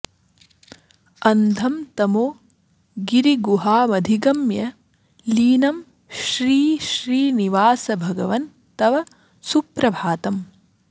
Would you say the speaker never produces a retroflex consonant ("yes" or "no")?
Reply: yes